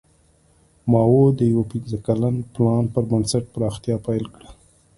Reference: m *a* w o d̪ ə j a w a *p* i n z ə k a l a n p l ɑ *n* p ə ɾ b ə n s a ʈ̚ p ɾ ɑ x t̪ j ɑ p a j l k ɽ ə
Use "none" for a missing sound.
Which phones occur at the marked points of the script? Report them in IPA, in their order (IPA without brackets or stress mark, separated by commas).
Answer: ɑ, p, n